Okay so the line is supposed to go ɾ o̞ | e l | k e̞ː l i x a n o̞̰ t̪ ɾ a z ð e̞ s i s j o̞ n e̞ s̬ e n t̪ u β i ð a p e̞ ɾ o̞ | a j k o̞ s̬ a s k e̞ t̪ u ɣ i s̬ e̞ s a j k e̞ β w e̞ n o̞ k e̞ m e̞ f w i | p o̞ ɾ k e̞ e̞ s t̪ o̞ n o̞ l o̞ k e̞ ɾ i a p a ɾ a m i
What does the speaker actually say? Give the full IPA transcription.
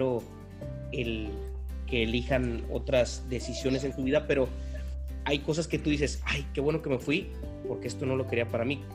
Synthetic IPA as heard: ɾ o̞ | e l | k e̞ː l i x a n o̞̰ t̪ ɾ a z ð e̞ s i s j o̞ n e̞ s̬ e n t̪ u β i ð a p e̞ ɾ o̞ | a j k o̞ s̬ a s k e̞ t̪ u ð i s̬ e̞ s a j k e̞ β w e̞ n o̞ k e̞ m e̞ f w i | p o̞ ɾ k e̞ e̞ s t̪ o̞ n o̞ l o̞ k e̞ ɾ i a p a ɾ a m i